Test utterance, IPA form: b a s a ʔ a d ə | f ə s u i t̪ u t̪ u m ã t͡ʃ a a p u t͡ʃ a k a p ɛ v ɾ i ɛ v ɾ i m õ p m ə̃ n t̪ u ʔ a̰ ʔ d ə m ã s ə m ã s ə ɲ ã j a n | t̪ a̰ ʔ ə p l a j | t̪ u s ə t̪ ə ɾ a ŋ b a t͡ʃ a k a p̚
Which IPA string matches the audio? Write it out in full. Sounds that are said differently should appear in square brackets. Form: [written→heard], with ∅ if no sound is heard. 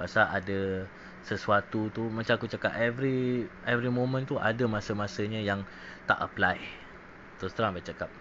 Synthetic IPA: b a s a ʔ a d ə | [f→s] ə s u [i→a] t̪ u t̪ u m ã t͡ʃ a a [p→k] u t͡ʃ a k a p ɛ v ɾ i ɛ v ɾ i m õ [p→∅] m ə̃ n t̪ u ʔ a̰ [ʔ→∅] d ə m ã s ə m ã s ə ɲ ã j a [n→ŋ] | t̪ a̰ ʔ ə p l a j | t̪ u s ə t̪ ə ɾ a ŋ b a t͡ʃ a k a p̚